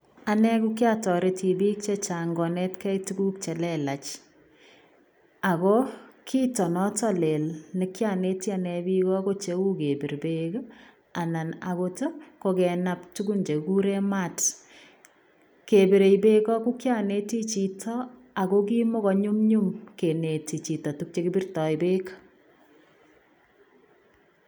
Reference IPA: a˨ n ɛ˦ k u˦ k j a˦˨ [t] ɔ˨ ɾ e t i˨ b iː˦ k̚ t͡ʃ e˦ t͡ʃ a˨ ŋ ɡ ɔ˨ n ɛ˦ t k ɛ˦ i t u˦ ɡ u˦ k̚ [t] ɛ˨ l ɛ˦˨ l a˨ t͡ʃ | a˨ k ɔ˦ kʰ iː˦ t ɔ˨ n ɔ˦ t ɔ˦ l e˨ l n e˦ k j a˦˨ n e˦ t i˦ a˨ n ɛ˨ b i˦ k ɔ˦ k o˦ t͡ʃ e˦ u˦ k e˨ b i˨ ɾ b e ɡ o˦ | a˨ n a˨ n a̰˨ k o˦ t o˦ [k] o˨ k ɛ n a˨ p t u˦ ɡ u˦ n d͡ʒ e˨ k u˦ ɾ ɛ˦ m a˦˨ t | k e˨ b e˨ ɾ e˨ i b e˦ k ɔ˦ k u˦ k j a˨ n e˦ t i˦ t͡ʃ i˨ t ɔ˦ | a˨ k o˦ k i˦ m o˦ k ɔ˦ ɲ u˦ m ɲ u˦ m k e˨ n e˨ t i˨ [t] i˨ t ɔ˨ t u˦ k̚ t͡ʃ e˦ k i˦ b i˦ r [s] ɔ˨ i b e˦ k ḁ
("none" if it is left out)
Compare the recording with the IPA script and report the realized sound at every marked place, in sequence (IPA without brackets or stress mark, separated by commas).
t, t͡ʃ, k, t͡ʃ, t